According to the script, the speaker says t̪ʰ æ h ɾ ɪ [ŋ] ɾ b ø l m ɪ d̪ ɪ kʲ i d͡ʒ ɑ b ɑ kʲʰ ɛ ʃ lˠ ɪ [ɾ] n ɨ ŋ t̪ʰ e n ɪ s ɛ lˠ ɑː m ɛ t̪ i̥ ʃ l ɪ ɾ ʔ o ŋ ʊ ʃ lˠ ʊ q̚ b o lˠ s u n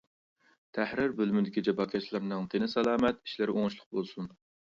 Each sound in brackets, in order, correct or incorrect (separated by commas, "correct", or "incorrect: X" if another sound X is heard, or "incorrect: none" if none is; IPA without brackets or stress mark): incorrect: none, correct